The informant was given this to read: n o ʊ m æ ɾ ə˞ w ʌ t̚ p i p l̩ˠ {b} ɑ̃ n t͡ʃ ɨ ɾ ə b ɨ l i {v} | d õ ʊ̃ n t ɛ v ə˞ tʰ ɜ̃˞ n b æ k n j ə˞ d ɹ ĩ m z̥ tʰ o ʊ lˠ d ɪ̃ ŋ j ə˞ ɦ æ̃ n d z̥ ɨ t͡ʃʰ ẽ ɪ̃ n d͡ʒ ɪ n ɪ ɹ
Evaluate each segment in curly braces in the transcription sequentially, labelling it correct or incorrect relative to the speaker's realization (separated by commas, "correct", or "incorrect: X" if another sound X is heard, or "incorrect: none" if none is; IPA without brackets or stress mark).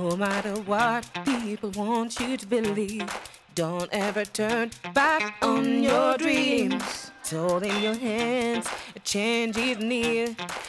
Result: incorrect: w, correct